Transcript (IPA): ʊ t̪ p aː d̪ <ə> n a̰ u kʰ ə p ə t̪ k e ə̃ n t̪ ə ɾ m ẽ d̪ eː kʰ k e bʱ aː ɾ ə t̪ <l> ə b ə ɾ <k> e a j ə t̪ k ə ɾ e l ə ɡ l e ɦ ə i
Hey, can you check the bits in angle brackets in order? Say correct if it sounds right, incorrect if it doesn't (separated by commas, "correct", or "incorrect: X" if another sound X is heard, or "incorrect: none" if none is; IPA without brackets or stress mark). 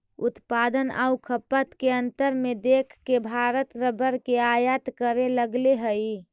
correct, incorrect: ɾ, correct